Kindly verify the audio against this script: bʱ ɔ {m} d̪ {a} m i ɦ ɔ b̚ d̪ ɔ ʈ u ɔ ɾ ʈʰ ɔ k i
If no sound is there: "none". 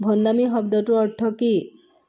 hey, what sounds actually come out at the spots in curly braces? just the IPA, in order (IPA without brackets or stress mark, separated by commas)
n, a